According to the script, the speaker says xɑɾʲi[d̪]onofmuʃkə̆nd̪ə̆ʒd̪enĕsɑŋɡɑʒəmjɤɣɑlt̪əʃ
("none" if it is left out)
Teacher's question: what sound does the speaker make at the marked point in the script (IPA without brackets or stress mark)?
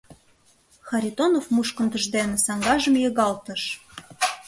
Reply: t̪